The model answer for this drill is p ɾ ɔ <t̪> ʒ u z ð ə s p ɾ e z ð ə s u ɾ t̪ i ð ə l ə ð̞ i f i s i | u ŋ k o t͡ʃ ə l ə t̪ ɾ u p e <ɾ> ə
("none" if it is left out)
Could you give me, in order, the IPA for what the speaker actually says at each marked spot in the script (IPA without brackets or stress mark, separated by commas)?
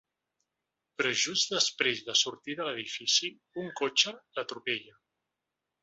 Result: none, ʎ